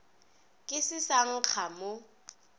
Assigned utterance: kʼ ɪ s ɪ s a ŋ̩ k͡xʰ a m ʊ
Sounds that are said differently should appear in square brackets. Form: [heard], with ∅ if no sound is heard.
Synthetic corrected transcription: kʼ ɪ s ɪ s a ŋ̩ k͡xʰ a m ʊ